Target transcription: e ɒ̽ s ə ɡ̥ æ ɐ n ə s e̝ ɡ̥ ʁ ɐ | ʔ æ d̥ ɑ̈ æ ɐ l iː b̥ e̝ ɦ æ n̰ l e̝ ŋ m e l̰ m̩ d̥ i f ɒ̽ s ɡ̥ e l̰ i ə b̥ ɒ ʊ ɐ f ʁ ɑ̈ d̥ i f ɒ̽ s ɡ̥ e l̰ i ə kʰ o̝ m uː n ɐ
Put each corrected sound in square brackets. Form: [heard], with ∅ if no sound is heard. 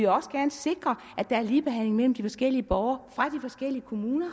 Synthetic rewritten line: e ɒ̽ s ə ɡ̥ æ ɐ n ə s e̝ ɡ̥ ʁ ɐ | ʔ æ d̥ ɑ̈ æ ɐ l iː b̥ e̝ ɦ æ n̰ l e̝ ŋ m e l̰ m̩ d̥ i f ɒ̽ s ɡ̥ e l̰ i ə b̥ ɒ ʊ ɐ f ʁ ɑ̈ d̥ i f ɒ̽ s ɡ̥ e l̰ i ə kʰ o̝ m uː n ɐ